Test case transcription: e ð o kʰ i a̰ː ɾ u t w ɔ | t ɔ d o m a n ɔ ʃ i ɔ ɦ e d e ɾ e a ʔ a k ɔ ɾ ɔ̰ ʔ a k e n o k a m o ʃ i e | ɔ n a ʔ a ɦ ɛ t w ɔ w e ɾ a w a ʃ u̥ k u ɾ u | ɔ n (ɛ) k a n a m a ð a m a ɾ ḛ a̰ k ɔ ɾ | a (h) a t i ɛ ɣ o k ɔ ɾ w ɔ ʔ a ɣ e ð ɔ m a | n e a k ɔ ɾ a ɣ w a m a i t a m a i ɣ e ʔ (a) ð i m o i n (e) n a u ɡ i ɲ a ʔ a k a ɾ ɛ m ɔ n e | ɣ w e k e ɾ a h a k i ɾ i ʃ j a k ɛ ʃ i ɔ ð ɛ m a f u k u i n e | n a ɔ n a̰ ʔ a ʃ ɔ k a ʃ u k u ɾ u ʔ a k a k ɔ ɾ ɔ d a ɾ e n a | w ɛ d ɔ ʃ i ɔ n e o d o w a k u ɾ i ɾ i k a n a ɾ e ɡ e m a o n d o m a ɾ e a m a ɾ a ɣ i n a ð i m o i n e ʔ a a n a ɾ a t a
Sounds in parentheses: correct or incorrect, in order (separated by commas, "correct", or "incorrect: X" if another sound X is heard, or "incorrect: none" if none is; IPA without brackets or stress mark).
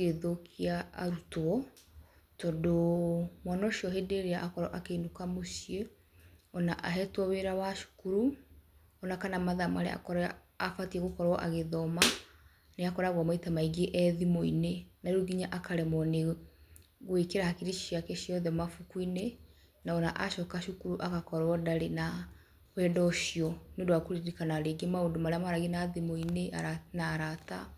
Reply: incorrect: a, incorrect: f, incorrect: ɛ, correct